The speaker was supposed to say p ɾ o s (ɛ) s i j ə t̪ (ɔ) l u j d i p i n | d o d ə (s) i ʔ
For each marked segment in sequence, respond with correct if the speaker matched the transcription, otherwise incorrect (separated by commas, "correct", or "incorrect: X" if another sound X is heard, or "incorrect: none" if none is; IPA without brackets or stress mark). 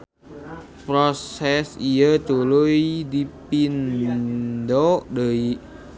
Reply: correct, incorrect: u, incorrect: none